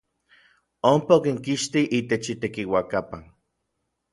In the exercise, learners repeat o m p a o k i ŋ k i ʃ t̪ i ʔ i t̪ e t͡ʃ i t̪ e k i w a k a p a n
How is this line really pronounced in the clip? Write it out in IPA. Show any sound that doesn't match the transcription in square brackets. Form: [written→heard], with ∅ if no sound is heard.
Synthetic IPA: o m p a o k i ŋ k i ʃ t̪ i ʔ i t̪ e t͡ʃ i t̪ e k i w a k a p a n